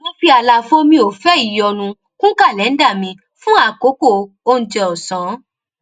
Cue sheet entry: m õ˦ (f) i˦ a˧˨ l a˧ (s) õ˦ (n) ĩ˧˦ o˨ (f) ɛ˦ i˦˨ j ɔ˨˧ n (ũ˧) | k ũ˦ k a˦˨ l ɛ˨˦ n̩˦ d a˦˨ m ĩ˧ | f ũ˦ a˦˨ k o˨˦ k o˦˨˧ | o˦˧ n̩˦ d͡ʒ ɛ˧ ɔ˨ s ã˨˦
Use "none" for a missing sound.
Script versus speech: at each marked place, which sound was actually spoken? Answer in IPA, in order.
f, f, m, f, ũ˧

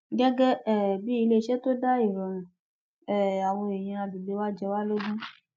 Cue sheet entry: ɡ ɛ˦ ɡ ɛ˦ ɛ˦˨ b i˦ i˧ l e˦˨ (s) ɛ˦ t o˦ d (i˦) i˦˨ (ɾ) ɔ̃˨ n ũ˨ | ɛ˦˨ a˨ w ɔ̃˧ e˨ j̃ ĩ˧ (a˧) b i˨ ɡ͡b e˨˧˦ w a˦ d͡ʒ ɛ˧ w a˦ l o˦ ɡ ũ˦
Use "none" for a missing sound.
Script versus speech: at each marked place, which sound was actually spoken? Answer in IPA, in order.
ʃ, a˦, ɾ, a˧

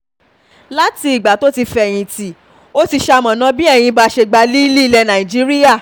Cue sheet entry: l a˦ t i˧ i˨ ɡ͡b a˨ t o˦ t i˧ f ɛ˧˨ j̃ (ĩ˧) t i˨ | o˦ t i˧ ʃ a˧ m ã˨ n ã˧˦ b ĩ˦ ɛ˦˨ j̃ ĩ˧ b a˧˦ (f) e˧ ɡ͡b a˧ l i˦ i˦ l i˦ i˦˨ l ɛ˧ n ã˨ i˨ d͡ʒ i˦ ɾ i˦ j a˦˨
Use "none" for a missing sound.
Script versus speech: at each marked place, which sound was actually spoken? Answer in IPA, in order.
ĩ˧, ʃ

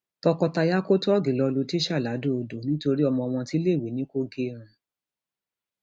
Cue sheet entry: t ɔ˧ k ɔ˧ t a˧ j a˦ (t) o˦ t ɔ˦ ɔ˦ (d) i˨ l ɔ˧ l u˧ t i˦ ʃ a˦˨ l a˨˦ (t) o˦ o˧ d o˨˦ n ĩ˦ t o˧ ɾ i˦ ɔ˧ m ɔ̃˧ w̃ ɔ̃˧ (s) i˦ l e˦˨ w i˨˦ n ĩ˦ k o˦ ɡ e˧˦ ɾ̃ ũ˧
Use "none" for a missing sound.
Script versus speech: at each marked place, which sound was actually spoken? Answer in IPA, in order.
k, ɡ, d, t

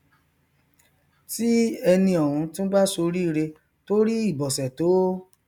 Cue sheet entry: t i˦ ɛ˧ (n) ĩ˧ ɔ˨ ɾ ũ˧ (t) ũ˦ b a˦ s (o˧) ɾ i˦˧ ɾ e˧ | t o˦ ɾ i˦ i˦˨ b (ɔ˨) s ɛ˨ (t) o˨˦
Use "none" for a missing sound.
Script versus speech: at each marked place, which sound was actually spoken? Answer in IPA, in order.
n, t, o˧, ɔ˨, t

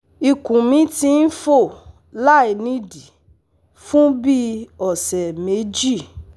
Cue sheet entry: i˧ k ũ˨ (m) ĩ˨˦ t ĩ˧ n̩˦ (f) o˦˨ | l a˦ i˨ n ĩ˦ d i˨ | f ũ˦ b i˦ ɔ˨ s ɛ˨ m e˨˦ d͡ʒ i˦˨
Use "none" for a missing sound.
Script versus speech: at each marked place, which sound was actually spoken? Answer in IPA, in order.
m, f

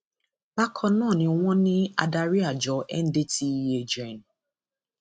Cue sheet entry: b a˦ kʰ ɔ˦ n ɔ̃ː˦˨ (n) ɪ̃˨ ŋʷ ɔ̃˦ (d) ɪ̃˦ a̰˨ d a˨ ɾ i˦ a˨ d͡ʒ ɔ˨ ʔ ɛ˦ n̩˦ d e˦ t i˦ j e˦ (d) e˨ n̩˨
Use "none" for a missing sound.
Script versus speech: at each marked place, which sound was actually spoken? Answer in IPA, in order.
n, n, d͡ʒ

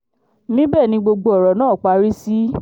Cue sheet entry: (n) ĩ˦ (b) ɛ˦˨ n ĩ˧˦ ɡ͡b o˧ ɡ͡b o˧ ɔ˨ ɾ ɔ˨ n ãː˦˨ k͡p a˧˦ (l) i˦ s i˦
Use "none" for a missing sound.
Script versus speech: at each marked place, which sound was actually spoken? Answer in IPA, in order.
m, b, ɾ

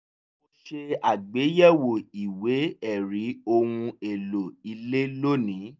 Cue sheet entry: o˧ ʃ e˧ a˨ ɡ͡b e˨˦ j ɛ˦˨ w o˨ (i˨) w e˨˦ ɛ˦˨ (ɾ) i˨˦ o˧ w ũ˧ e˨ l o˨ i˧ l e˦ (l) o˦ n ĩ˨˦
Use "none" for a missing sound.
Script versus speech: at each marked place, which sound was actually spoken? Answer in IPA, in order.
i˨, ɾ, l

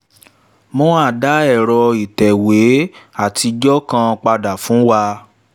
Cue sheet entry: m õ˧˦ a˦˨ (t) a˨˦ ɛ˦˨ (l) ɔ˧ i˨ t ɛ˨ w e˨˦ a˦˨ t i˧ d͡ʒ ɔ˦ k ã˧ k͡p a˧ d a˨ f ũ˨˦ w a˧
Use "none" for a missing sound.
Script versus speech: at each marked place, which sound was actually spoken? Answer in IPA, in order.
d, ɾ

